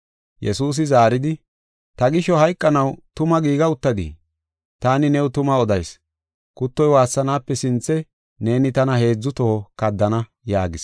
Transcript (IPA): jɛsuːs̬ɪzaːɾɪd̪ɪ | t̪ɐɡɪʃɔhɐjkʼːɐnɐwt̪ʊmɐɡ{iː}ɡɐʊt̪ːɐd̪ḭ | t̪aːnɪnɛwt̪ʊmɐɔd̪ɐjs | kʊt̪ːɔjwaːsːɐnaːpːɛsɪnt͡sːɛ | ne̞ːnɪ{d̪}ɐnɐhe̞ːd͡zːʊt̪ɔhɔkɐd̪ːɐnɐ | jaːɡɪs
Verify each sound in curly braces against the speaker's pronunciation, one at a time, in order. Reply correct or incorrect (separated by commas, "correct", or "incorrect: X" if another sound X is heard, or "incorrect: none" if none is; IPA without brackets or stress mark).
correct, incorrect: t̪